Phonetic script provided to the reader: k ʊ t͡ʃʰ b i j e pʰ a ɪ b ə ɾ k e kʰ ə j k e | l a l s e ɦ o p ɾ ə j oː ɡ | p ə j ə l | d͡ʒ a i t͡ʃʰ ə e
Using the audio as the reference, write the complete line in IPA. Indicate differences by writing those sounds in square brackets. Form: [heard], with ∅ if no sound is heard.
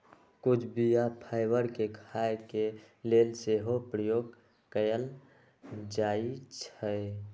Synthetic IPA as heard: k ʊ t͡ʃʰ b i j [a] pʰ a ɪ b ə ɾ k e kʰ [a] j k e | l [e] l s e ɦ o p ɾ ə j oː ɡ | [k] ə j ə l | d͡ʒ a i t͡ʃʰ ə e